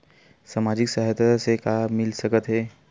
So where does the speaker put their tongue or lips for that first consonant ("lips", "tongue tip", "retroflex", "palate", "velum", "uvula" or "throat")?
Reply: tongue tip